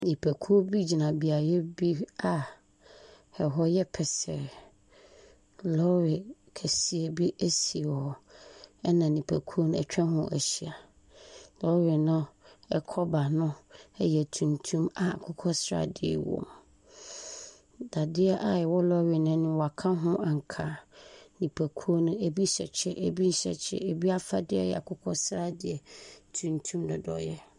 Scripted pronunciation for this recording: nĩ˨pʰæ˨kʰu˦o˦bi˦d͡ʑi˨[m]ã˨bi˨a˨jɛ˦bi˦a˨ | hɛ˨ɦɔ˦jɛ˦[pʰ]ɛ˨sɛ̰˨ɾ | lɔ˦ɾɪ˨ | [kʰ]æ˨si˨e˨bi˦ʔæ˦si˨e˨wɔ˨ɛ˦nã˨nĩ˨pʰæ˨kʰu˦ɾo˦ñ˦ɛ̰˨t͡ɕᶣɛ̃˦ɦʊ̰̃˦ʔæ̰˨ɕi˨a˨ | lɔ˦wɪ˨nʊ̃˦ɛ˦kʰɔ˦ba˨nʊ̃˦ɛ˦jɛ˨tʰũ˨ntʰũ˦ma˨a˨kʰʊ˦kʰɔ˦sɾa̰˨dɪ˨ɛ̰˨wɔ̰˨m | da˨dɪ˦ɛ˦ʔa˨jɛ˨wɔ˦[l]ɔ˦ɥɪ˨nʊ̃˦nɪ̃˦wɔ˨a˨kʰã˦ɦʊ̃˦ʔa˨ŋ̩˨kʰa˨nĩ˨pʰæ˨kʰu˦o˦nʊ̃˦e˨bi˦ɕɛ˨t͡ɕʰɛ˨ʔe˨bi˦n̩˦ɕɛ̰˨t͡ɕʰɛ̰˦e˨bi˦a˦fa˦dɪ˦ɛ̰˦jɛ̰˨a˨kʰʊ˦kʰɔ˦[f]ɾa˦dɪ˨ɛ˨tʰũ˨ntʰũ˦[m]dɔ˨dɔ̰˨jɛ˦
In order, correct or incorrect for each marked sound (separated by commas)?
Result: incorrect, correct, correct, correct, incorrect, correct